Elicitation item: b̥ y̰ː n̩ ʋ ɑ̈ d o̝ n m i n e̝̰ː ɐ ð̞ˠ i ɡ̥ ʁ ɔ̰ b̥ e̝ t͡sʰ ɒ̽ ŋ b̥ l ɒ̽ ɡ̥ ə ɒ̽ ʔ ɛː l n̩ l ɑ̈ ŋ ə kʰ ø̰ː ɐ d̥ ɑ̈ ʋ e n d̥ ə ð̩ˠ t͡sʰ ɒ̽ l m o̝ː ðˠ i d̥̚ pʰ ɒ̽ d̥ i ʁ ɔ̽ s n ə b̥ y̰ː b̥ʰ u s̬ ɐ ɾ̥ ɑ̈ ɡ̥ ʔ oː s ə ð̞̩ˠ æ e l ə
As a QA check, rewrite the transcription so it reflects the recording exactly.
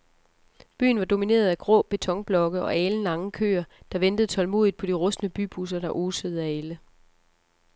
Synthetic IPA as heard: b̥ y̰ː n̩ ʋ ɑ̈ d o̝ m i n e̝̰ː ɐ ð̞ˠ æ ɡ̥ ʁ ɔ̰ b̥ e̝ t͡sʰ ɒ̽ ŋ b̥ l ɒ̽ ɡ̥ ə ɒ̽ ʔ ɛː l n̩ l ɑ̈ ŋ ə kʰ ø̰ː ɐ d̥ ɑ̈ ʋ e n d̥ ə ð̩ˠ t͡sʰ ɒ̽ l m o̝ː ðˠ i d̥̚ pʰ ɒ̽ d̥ i ʁ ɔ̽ s n ə b̥ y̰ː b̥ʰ u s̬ ɐ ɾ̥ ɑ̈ ʔ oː s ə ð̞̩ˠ æ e l ə

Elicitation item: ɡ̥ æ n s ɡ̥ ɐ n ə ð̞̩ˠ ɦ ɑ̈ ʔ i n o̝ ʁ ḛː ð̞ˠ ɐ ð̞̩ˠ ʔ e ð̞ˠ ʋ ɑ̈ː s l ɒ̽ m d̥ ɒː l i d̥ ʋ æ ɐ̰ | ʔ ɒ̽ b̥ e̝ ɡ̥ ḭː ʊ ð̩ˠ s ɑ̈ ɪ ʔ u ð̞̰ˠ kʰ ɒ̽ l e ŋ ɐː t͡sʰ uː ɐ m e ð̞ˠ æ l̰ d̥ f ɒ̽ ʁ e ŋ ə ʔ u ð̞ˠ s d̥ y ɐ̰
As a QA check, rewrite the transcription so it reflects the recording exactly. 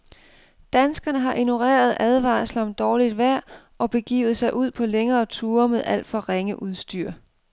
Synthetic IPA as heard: d̥ æ n s ɡ̥ ɐ n ə ɦ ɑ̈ ʔ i n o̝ ʁ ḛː ɐ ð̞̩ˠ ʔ æ ð̞ˠ ʋ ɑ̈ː s l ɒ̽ m d̥ ɒː l i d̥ ʋ æ ɐ̰ | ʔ ɒ̽ b̥ e̝ ɡ̥ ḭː ʊ ð̩ˠ s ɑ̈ ɪ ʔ u ð̞̰ˠ pʰ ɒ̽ l e ŋ ɐː t͡sʰ uː ɐ m e ð̞ˠ æ l̰ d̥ f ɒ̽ ʁ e ŋ ə ʔ u ð̞ˠ s d̥ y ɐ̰

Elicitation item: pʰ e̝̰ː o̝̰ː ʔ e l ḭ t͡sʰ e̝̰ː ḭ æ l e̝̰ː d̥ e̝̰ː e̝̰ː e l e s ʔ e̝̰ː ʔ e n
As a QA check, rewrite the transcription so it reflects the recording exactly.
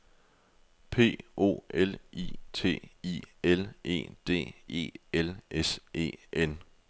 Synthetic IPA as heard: pʰ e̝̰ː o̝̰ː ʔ e l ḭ t͡sʰ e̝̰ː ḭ e l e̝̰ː d̥ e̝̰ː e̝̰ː e l e s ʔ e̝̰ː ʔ e n

